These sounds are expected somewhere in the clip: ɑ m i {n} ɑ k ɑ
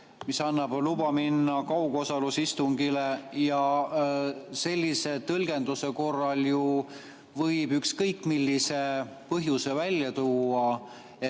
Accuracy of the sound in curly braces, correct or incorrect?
incorrect